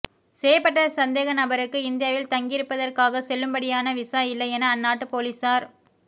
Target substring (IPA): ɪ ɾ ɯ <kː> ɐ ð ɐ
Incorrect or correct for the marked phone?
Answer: incorrect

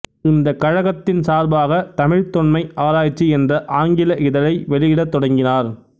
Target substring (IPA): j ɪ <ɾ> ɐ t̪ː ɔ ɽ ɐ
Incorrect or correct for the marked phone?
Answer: incorrect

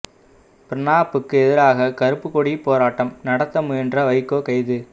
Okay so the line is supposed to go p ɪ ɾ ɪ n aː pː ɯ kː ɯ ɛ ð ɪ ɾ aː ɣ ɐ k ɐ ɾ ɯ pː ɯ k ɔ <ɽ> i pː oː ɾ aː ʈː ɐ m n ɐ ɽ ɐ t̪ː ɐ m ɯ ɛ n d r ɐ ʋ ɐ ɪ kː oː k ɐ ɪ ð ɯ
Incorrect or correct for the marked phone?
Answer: correct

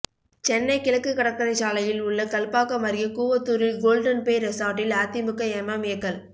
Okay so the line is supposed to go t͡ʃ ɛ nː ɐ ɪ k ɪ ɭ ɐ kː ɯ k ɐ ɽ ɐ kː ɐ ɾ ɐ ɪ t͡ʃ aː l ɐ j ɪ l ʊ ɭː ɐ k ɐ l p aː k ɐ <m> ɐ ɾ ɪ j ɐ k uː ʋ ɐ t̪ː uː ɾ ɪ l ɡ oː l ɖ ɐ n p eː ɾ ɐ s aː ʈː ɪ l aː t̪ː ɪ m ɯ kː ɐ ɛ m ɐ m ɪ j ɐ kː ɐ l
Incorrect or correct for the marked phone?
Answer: correct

